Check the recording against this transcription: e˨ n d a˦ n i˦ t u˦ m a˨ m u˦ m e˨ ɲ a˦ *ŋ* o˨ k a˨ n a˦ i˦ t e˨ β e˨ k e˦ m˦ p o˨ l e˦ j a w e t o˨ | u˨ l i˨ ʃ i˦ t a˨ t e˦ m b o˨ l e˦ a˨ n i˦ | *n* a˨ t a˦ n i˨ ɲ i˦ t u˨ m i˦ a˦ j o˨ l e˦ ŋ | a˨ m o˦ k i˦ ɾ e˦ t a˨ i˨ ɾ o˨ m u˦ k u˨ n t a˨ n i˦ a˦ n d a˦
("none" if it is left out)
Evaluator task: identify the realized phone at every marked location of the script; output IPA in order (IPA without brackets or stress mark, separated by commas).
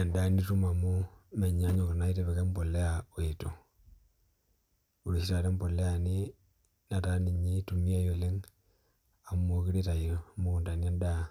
ɲ, n